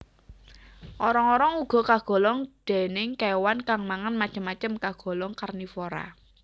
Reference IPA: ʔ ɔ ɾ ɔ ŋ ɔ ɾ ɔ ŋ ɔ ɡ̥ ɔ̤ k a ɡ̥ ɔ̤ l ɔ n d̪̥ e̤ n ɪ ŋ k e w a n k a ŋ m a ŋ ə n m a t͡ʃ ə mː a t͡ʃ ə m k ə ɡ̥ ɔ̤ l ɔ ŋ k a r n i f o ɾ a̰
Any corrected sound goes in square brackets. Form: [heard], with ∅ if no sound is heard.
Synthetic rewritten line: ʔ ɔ ɾ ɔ ŋ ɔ ɾ ɔ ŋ [u] ɡ̥ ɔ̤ k a ɡ̥ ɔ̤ l ɔ [ŋ] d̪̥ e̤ n ɪ ŋ k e w a n k a ŋ m a ŋ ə n m a t͡ʃ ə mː a t͡ʃ ə m k [a] ɡ̥ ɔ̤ l ɔ ŋ k a r n i f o ɾ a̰